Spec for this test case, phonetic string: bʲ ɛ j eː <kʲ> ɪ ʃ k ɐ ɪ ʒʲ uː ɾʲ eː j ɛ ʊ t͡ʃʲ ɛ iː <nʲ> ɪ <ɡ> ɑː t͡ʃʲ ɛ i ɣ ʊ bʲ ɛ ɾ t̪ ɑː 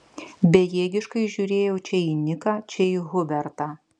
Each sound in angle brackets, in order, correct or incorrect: incorrect: ɡʲ, correct, incorrect: k

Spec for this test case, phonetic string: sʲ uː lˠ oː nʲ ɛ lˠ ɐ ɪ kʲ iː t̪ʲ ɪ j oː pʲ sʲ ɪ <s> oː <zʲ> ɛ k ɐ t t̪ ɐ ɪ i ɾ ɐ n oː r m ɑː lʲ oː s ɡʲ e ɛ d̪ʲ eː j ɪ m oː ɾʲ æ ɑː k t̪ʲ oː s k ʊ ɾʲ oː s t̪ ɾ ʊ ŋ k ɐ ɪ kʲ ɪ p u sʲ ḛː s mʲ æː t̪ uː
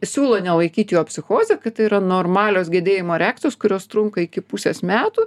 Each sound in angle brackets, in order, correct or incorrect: incorrect: x, correct

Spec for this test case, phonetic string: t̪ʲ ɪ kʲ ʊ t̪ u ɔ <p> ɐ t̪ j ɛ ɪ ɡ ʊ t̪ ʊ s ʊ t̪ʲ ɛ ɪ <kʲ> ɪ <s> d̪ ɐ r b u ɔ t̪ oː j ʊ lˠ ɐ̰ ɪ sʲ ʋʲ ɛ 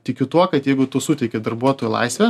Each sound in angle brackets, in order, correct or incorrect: incorrect: k, correct, incorrect: none

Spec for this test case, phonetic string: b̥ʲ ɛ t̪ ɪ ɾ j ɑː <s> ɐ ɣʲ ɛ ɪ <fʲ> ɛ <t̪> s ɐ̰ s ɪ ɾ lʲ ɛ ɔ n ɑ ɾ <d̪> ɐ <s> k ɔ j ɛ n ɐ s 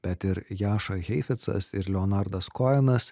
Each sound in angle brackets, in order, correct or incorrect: incorrect: ʃ, correct, correct, correct, correct

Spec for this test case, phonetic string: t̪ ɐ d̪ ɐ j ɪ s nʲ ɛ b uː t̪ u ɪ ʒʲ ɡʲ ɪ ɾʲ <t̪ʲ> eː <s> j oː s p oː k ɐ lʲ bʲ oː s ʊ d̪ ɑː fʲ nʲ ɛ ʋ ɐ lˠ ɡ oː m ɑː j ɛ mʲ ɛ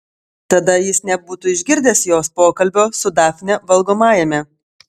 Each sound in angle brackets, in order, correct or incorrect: incorrect: d̪ʲ, correct

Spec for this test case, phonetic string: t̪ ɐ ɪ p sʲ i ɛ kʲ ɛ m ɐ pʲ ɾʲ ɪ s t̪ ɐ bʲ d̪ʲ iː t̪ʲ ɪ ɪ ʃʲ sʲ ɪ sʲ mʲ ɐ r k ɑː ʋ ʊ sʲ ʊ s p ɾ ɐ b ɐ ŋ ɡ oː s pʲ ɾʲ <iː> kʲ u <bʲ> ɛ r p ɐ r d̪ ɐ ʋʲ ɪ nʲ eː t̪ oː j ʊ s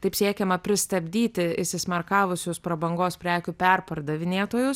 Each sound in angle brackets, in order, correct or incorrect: incorrect: æː, incorrect: pʲ

